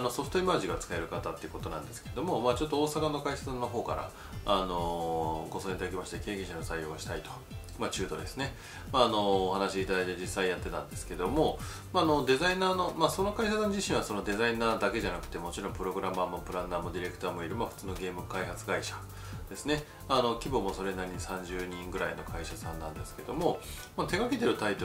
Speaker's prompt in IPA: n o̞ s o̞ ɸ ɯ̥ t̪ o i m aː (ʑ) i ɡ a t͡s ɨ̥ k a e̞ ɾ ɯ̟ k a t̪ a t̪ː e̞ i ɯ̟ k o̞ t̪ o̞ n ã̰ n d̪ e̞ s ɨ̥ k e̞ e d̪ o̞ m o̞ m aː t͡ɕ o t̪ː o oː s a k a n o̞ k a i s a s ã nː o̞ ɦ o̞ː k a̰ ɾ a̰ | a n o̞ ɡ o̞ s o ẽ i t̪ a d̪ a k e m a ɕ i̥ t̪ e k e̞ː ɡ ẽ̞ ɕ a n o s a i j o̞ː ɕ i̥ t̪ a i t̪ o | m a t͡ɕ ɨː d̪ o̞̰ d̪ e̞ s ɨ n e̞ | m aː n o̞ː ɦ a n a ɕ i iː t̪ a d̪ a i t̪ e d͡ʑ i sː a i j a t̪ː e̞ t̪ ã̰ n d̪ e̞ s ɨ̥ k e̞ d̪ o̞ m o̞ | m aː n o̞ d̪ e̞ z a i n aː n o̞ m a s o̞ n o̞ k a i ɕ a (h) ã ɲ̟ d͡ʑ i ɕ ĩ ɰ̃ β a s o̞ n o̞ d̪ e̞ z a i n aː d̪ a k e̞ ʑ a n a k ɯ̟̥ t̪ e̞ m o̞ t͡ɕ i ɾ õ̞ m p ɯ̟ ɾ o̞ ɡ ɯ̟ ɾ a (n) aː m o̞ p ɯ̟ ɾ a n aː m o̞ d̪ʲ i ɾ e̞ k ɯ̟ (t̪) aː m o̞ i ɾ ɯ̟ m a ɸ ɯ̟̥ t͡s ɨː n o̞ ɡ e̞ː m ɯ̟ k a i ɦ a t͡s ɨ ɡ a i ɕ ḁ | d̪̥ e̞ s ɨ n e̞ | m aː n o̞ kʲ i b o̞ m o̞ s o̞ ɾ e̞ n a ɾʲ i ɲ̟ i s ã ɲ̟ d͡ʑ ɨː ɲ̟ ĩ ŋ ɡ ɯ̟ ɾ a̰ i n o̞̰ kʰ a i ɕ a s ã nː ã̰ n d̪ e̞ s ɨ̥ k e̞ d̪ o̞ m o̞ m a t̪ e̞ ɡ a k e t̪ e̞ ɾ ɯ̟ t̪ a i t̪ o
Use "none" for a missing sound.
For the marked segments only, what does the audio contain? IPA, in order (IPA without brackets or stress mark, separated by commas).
ʑ, s, m, t̪